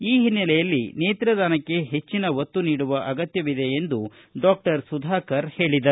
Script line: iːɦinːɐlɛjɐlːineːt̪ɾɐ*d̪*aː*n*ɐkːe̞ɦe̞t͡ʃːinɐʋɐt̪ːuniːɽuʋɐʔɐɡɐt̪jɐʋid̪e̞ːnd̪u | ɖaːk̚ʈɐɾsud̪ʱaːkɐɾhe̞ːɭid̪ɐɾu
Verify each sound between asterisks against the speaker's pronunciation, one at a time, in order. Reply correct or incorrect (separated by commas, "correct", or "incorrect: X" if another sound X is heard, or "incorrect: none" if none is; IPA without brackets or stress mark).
correct, correct